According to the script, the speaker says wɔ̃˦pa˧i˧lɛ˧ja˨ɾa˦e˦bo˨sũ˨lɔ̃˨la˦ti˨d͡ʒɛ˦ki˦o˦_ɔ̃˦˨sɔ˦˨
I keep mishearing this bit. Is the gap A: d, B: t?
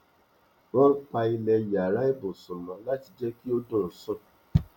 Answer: A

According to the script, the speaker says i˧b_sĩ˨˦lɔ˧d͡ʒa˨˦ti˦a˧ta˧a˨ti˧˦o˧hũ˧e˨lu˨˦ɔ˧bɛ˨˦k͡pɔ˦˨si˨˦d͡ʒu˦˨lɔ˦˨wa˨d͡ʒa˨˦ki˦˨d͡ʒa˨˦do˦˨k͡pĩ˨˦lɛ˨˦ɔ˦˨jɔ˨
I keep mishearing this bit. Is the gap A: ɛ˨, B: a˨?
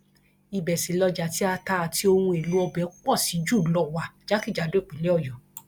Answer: A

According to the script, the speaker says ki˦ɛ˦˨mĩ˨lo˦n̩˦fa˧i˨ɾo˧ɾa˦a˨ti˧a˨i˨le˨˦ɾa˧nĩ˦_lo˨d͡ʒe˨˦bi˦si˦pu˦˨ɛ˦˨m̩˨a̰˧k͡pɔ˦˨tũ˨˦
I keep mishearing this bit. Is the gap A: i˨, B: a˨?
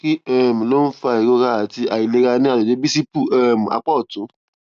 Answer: B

